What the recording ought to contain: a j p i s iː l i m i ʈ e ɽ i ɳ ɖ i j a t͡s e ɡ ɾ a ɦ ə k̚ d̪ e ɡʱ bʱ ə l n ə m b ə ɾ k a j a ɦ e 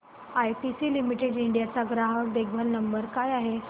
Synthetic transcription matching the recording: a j p i s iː l i m i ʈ e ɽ i ɳ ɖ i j a t͡s a ɡ ɾ a ɦ ə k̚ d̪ e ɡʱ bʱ ə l n ə m b ə ɾ k a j a ɦ e